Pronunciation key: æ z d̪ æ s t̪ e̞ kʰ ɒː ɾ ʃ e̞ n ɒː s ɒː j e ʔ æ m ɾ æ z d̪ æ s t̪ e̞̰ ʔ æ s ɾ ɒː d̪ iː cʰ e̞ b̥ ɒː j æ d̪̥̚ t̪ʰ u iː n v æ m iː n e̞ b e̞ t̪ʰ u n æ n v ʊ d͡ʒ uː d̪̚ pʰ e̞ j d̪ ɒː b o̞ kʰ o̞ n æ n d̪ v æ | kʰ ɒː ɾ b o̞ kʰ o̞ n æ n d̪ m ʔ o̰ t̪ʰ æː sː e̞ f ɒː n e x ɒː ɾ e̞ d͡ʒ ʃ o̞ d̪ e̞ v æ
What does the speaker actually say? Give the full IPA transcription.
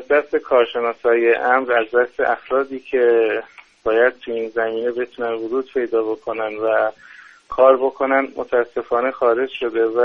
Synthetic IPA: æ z d̪ æ s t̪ e̞ kʰ ɒː ɾ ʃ e̞ n ɒː s ɒː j e ʔ æ m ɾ æ z d̪ æ s t̪ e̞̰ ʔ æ f ɾ ɒː d̪ iː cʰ e̞ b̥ ɒː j æ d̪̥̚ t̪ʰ u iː n z æ m iː n e̞ b e̞ t̪ʰ u n æ n v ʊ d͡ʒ uː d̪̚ pʰ e̞ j d̪ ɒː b o̞ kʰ o̞ n æ n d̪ v æ | kʰ ɒː ɾ b o̞ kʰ o̞ n æ n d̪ m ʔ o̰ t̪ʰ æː sː e̞ f ɒː n e x ɒː ɾ e̞ d͡ʒ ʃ o̞ d̪ e̞ v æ